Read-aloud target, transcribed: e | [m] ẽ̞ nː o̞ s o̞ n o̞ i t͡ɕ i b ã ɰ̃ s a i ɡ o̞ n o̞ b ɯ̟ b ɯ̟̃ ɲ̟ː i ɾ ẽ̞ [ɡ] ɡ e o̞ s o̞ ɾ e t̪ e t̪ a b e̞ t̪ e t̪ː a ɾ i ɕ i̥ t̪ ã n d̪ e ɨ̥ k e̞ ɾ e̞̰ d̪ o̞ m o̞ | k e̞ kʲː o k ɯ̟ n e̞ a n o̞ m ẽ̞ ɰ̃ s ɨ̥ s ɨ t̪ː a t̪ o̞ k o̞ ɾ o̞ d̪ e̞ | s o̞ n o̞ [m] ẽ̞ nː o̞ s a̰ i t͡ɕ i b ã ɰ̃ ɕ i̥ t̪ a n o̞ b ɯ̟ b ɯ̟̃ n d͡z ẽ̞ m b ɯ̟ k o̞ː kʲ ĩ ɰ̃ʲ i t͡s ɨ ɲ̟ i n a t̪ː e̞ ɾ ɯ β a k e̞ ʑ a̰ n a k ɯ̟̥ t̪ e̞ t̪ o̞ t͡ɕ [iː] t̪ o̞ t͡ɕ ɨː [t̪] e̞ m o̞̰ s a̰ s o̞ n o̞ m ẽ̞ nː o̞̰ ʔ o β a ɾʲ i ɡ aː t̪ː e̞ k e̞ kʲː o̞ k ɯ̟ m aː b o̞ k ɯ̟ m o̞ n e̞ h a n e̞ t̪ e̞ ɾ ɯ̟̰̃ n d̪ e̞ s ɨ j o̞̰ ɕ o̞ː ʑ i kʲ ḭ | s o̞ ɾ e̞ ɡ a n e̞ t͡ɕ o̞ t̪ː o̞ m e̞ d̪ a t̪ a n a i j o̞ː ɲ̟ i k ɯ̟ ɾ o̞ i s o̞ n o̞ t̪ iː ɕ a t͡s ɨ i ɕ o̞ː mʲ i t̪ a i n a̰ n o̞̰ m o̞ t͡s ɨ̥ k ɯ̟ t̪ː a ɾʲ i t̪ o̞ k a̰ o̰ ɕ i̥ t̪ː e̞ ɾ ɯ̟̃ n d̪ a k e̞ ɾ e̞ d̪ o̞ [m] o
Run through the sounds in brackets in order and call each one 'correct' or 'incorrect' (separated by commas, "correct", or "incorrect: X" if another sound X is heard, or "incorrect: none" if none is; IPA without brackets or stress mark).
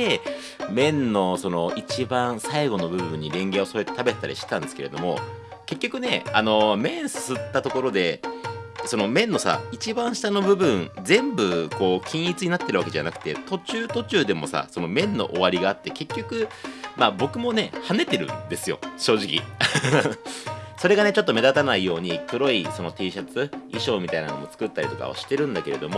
correct, incorrect: ŋ, correct, incorrect: ɨː, incorrect: d̪, correct